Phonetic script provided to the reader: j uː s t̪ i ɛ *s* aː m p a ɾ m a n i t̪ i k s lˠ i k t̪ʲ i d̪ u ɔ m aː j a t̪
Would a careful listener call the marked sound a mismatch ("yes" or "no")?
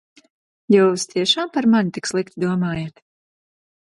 yes